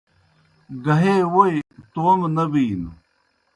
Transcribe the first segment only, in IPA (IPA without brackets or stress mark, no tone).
ɡ